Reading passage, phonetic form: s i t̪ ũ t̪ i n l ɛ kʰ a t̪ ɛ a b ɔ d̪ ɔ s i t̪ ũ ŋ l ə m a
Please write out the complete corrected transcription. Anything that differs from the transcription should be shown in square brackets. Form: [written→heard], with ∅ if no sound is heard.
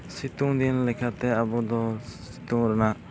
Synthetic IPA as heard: s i t̪ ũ [t̪→d̪] i n l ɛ kʰ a t̪ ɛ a b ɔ d̪ ɔ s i t̪ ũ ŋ [l→ɾ] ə [m→n] a